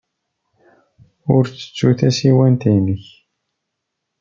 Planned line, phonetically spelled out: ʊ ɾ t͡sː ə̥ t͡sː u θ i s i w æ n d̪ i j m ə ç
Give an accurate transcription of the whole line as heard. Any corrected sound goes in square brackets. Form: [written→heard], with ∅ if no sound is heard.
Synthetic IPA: ʊ ɾ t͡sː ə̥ t͡sː u θ [i→æ] s i w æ n [d̪→t̪] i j [m→n] ə ç